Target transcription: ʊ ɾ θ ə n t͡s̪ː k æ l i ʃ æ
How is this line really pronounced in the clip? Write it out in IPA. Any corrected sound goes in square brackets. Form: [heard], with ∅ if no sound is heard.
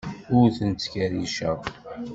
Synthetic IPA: ʊ ɾ θ ə n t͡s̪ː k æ [ɾ] i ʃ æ